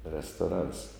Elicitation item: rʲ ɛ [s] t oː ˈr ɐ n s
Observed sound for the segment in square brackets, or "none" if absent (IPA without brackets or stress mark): s